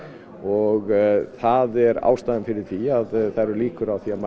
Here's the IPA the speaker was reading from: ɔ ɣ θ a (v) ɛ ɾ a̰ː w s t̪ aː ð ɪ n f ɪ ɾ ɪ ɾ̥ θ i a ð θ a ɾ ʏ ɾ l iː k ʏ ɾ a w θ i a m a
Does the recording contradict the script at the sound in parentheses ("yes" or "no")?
yes